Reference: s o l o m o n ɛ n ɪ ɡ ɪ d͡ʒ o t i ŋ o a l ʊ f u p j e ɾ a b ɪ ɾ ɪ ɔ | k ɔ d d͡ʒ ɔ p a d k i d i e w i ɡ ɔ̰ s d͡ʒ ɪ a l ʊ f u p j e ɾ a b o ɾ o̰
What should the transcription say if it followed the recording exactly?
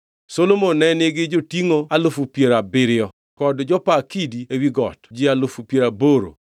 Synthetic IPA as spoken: s o l o m o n ɛ n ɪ ɡ ɪ d͡ʒ o t i ŋ o a l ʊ f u p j e ɾ a b ɪ ɾ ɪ ɔ | k ɔ d d͡ʒ ɔ p a k i d i e w i ɡ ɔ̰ t d͡ʒ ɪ a l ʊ f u p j e ɾ a b o ɾ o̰